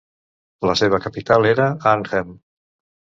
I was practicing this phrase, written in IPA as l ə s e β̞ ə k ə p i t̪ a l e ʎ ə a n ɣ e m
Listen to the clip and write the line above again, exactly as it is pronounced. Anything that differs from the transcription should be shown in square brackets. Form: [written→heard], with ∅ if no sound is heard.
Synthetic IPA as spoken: l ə s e β̞ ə k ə p i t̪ a l e [ʎ→ɾ] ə a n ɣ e m